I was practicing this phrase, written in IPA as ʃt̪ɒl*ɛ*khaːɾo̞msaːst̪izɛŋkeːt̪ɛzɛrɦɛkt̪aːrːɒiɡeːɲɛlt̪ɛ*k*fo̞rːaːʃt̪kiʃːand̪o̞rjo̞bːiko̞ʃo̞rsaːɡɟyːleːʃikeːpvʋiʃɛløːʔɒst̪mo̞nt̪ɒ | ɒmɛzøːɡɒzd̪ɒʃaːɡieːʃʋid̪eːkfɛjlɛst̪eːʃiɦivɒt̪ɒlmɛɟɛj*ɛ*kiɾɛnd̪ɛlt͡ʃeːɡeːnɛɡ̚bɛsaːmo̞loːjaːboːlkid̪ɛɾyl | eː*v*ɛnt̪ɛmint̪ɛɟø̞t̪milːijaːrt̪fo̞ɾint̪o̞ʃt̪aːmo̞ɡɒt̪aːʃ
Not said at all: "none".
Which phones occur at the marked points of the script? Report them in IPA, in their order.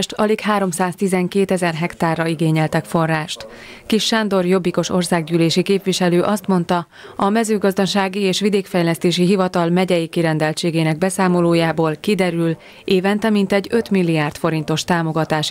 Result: i, k, i, v

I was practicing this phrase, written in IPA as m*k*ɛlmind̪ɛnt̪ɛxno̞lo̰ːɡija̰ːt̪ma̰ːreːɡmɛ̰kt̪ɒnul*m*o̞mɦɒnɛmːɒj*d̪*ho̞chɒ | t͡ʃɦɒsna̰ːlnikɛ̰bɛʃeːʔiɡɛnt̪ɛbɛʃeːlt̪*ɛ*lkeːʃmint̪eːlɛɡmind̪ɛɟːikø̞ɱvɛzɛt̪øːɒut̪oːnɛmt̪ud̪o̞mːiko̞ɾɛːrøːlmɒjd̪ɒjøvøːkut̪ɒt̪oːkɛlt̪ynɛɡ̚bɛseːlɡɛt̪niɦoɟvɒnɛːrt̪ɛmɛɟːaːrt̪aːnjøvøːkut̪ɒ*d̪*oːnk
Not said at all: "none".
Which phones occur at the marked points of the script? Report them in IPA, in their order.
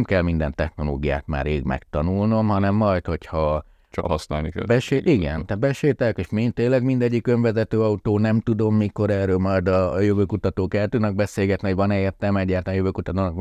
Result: k, n, t̪, ɛ, t̪

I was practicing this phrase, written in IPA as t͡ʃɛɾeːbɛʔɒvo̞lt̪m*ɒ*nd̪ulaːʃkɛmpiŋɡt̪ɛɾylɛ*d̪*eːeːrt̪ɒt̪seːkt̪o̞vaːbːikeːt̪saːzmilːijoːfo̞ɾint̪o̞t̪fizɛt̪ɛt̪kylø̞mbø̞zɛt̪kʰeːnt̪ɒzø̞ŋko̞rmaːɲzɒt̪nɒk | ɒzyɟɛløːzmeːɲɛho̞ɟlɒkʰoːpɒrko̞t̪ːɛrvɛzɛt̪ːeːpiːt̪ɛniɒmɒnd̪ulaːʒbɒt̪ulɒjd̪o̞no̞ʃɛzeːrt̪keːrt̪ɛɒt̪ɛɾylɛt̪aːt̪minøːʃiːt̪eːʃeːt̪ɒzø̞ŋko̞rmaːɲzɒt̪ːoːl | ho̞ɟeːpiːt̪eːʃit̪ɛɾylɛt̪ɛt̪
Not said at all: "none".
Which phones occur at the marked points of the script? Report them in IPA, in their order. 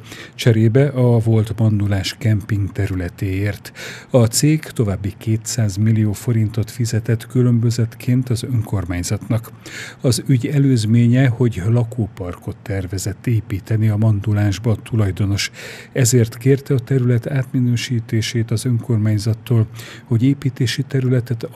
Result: ɒ, t̪

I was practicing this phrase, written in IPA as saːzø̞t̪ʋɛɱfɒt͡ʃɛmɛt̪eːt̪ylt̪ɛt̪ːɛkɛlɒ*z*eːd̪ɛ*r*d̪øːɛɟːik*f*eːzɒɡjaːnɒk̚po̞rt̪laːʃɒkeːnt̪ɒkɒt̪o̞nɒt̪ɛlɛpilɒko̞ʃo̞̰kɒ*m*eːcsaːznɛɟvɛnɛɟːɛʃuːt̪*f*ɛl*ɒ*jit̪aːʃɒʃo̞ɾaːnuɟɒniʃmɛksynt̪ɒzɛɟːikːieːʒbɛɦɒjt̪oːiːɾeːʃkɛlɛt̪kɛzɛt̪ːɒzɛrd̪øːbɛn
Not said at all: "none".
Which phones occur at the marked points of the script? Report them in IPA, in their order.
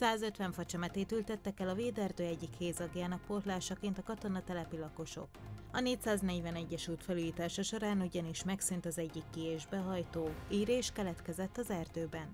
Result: v, r, h, n, f, u

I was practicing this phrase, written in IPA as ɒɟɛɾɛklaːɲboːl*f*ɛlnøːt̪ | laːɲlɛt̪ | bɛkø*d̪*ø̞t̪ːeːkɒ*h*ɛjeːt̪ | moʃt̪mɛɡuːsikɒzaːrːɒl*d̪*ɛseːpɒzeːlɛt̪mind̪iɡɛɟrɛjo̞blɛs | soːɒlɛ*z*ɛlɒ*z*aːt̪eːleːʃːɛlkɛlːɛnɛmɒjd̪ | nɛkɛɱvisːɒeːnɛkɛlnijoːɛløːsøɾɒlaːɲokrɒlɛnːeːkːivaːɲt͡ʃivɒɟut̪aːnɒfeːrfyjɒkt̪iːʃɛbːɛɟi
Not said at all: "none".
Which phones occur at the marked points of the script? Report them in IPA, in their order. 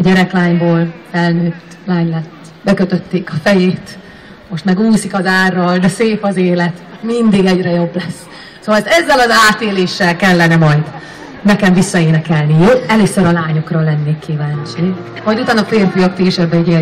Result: f, t̪, f, d̪, zː, z

